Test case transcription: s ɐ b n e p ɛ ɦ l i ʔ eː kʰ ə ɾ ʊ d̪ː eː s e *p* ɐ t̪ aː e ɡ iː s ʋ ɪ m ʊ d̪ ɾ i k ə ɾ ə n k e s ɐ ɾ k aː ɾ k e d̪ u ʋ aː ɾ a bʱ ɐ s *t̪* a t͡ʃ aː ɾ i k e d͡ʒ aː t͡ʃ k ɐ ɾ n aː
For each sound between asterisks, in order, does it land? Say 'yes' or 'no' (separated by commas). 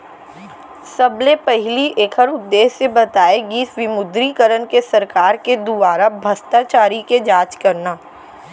no, yes